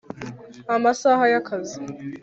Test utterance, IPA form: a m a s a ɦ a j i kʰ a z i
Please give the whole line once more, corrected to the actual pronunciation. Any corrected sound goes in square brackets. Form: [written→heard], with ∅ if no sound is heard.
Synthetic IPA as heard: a m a s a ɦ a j [i→a] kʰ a z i